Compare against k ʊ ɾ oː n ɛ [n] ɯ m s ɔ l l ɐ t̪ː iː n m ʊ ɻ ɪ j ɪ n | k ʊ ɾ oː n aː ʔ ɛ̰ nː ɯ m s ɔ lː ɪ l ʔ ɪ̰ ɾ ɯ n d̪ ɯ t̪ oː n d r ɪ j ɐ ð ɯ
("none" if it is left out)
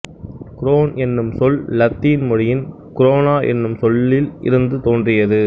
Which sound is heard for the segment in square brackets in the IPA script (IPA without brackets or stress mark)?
nː